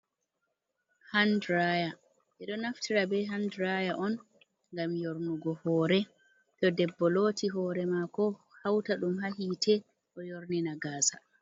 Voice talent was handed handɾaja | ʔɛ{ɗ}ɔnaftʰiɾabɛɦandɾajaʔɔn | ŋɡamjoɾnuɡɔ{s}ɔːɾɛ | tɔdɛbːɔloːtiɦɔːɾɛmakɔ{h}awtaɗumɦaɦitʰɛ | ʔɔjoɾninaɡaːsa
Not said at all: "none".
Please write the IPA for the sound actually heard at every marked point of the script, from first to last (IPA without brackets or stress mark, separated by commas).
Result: ɗ, h, h